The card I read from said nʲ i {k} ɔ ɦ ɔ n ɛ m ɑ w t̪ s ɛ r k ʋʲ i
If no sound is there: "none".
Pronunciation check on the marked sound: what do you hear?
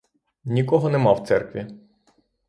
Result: k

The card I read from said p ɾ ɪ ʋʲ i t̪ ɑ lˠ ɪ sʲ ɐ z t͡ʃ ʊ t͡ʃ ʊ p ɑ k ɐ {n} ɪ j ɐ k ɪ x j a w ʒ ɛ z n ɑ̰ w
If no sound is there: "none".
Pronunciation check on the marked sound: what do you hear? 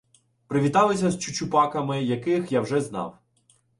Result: m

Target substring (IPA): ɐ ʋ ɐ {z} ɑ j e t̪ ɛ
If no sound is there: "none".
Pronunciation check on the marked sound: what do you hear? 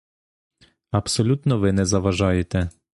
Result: ʒ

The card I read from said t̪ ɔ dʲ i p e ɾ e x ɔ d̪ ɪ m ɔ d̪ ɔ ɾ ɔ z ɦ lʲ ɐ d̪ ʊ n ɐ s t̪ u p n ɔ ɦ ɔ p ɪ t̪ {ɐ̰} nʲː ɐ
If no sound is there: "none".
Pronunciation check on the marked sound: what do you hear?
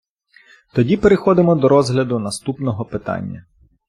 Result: ɑ̰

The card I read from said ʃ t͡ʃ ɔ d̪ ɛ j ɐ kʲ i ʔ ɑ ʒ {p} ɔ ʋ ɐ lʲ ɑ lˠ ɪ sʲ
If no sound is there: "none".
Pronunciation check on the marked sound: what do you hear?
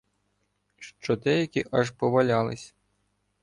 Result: p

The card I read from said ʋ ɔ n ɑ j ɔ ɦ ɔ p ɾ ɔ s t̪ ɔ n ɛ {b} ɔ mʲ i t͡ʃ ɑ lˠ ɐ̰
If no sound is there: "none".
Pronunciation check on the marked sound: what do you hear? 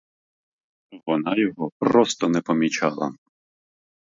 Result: p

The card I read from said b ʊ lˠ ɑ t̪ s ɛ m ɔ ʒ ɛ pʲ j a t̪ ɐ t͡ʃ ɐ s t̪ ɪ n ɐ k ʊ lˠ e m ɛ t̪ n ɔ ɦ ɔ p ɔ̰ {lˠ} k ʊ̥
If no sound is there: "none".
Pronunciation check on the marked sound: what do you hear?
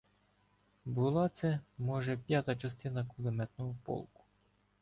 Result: lˠ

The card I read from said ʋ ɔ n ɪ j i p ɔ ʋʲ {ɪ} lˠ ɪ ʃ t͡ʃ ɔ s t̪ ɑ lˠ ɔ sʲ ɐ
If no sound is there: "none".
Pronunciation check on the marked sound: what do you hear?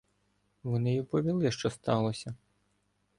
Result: i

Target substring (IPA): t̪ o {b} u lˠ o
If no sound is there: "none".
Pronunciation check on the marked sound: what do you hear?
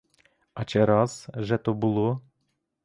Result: b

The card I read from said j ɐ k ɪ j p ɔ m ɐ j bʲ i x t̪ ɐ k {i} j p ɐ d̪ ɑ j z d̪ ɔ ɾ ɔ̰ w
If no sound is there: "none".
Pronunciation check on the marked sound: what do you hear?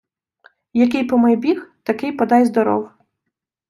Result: ɪ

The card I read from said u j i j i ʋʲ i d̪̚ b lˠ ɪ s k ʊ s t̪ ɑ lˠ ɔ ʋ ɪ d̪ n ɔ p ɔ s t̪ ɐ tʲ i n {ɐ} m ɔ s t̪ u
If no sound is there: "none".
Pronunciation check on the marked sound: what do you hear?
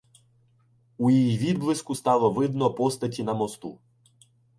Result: ɐ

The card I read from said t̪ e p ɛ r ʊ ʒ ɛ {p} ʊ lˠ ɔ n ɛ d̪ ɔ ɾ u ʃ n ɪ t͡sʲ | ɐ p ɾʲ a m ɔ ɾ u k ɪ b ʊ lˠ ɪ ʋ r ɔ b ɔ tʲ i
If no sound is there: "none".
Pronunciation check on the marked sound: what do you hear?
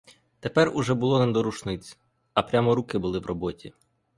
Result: b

